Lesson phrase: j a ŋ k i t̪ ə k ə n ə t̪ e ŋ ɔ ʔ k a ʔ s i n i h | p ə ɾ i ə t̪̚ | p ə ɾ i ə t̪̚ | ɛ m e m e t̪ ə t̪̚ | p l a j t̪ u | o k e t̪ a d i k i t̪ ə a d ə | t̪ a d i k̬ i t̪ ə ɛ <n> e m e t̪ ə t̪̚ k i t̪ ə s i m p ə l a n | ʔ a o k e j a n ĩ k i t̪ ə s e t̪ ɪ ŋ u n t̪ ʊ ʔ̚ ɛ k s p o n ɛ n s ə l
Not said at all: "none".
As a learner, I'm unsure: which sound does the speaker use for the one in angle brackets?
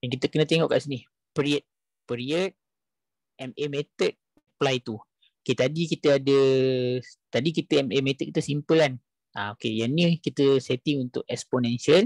m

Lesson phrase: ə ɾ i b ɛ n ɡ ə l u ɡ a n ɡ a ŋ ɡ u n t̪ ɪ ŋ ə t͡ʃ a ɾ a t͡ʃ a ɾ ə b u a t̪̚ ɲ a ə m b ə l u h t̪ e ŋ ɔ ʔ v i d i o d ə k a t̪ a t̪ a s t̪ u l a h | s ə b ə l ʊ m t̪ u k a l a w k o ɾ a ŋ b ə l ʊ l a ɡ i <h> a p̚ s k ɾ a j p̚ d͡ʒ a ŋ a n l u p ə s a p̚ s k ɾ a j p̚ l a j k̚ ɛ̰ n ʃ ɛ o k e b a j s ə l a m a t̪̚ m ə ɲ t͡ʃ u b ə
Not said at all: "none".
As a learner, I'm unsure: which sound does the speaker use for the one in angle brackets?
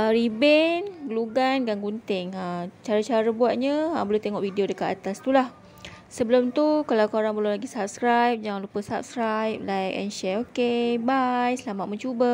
s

